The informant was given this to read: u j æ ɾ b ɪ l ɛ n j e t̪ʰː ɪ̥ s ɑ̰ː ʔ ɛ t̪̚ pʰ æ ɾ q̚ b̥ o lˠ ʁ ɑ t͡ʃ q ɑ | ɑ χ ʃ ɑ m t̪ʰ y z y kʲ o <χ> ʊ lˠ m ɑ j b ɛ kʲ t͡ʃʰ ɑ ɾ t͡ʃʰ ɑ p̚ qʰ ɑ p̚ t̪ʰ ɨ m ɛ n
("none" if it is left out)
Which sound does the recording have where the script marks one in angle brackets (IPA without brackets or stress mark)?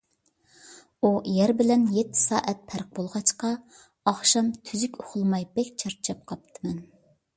χ